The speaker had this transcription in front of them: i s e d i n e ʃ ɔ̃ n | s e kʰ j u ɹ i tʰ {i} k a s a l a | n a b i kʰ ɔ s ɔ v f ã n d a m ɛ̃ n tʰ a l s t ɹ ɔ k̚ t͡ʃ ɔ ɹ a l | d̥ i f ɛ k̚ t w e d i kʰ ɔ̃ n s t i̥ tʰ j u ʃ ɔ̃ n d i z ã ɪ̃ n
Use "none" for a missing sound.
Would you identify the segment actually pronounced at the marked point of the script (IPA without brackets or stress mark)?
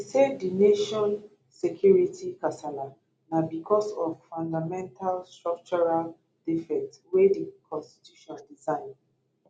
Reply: i